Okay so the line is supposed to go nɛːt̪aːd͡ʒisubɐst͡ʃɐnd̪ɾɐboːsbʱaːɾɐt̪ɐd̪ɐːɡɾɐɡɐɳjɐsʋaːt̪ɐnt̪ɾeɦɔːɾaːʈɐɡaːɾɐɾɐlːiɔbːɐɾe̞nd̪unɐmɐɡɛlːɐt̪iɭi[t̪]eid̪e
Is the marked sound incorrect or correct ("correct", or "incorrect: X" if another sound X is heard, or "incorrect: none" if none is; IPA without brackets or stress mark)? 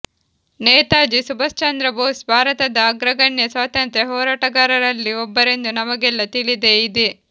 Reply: incorrect: d̪